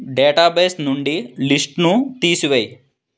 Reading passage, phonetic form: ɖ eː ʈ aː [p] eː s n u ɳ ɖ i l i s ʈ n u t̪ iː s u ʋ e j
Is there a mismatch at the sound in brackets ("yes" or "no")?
yes